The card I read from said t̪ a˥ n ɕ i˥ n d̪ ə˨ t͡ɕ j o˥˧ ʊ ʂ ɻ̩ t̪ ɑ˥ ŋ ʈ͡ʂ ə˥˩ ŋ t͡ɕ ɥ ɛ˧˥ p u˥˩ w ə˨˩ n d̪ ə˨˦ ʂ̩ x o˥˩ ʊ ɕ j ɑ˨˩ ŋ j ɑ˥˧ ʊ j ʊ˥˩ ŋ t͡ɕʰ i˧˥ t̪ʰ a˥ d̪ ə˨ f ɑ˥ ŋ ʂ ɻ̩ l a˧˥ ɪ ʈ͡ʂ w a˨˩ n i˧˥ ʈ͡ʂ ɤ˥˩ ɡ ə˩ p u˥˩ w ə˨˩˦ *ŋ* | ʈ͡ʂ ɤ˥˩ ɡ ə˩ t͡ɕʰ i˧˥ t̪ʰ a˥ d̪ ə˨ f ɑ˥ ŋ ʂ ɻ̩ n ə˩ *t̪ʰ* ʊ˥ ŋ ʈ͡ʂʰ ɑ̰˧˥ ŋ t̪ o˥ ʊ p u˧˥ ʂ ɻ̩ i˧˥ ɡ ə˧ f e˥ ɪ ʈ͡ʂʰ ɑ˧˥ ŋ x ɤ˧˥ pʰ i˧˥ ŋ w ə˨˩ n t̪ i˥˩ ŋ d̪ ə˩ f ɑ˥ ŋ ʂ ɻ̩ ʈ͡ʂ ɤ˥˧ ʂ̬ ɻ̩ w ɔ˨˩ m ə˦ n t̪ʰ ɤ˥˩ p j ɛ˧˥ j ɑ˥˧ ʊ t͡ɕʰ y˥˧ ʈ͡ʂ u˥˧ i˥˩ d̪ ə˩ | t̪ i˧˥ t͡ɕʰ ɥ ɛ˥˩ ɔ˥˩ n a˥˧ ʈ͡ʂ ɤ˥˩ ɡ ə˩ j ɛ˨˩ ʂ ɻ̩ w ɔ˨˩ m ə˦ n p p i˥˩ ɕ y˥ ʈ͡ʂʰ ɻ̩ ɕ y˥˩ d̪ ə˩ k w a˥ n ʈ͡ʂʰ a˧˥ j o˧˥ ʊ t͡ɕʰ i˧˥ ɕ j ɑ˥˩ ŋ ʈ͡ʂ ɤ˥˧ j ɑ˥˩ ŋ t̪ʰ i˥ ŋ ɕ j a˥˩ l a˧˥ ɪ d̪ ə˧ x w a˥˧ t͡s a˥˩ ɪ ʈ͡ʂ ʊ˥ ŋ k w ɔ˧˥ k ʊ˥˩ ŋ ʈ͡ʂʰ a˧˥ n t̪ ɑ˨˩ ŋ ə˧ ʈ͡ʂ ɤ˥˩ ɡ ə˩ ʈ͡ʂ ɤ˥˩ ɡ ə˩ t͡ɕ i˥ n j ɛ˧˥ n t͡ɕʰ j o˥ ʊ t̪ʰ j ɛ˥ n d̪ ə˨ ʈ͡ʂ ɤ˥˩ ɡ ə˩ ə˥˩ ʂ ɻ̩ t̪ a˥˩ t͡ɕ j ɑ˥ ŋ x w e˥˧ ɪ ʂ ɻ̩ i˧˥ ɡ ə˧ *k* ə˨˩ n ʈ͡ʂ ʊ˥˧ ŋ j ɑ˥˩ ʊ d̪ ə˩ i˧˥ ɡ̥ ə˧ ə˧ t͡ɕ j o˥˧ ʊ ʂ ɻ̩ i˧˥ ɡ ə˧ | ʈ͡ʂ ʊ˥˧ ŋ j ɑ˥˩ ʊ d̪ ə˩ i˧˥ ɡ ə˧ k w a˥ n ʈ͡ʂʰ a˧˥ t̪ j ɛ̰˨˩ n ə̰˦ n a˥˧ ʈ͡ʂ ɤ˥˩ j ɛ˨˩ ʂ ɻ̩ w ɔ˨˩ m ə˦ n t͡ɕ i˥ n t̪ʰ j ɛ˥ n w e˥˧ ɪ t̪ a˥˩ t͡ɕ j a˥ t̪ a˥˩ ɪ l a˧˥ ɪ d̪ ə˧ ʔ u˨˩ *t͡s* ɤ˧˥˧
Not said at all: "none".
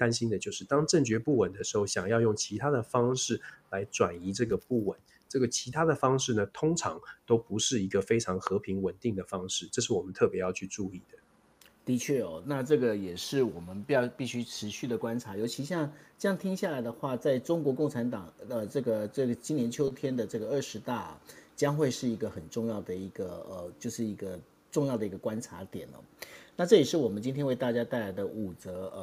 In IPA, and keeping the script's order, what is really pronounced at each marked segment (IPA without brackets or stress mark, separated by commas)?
n, t̪ʰ, x, t͡s